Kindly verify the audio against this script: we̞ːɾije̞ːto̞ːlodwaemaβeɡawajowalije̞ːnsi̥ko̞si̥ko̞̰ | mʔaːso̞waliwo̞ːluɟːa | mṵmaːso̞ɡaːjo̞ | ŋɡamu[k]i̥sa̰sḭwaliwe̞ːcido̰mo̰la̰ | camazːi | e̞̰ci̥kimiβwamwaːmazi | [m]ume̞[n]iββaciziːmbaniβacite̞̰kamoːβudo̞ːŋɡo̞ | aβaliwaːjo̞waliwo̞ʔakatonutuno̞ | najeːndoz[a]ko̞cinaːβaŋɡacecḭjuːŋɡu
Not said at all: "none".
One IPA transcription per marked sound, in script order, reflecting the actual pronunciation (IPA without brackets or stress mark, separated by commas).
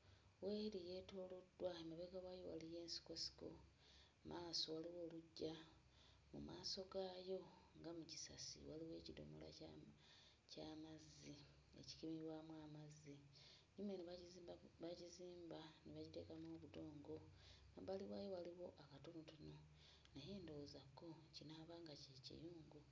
c, ɲ, n, a